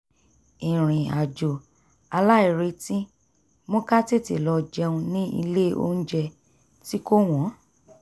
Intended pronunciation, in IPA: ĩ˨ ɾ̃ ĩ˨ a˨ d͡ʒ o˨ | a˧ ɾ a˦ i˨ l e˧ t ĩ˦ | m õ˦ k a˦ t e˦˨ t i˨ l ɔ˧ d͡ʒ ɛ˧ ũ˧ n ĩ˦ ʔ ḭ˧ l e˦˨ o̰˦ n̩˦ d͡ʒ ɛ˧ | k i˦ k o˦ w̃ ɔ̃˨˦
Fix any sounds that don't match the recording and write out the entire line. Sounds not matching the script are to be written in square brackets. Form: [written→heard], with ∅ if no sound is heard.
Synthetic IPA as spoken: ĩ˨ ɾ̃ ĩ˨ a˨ d͡ʒ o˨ | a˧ [ɾ→l] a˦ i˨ [l→ɾ] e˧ t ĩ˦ | m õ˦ k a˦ t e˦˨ t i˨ l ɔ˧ d͡ʒ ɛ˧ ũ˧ n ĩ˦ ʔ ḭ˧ l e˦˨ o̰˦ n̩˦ d͡ʒ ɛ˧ | [k→t] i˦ k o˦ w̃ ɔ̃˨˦